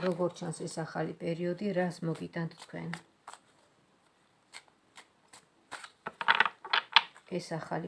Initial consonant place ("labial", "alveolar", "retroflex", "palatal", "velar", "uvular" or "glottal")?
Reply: alveolar